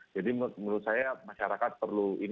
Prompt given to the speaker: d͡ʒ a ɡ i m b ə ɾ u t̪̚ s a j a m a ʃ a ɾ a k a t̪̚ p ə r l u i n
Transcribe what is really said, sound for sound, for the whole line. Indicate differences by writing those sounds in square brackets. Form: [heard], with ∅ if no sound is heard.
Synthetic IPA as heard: d͡ʒ a [d] i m [m] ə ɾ u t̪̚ s a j a m a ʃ a ɾ a k a t̪̚ p ə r l u i n